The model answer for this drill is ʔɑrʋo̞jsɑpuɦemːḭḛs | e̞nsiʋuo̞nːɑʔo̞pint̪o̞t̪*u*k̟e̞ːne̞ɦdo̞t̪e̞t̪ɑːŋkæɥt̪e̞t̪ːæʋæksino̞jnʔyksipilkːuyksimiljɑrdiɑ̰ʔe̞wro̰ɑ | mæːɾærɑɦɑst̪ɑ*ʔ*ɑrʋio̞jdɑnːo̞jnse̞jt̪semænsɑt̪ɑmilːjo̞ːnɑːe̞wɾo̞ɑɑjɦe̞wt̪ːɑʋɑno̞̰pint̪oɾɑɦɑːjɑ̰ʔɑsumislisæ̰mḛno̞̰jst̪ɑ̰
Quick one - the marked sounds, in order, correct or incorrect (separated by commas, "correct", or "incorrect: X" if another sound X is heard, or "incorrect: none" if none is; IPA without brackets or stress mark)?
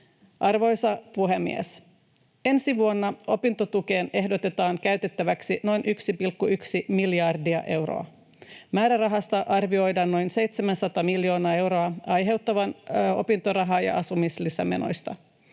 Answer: correct, correct